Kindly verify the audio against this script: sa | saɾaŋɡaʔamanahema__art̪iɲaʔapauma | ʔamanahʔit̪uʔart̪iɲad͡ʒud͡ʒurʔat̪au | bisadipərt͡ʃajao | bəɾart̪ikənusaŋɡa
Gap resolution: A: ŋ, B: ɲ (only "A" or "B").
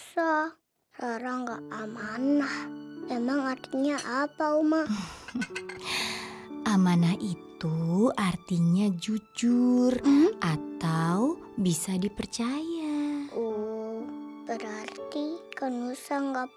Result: A